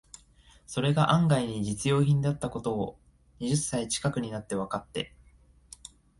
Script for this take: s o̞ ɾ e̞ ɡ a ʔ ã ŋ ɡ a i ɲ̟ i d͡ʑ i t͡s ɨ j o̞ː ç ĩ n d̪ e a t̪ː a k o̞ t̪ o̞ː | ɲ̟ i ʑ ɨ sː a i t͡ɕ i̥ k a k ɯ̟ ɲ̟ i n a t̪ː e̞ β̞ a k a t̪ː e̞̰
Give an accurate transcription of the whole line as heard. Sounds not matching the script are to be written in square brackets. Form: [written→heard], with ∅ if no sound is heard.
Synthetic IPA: s o̞ ɾ e̞ ɡ a ʔ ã ŋ ɡ a i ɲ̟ i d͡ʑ i t͡s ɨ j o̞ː ç ĩ n d̪ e a t̪ː a k o̞ t̪ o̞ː | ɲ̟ i ʑ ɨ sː a i t͡ɕ i̥ k a k ɯ̟ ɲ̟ i n a t̪ː e̞ β̞ a k a t̪ː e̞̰